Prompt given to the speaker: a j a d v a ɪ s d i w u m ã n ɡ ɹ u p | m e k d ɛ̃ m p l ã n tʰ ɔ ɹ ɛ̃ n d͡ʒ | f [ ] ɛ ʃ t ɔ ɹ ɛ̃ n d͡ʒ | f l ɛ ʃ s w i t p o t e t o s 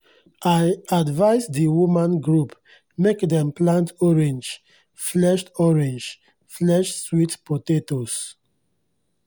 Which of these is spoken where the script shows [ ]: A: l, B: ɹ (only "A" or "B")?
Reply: A